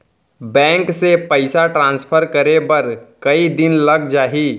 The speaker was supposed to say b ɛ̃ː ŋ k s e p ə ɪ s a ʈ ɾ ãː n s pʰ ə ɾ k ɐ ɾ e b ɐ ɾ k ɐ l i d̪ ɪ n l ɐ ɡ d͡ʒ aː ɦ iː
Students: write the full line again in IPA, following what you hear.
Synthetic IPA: b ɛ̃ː ŋ k s e p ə ɪ s a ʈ ɾ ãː n s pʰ ə ɾ k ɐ ɾ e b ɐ ɾ k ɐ i d̪ ɪ n l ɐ ɡ d͡ʒ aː ɦ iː